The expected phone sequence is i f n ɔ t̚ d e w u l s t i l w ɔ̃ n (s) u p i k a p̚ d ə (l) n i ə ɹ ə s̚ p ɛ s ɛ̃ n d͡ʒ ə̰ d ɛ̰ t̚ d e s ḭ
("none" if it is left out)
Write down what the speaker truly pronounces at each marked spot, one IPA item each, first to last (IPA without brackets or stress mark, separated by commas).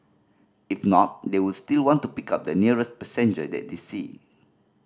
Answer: t, none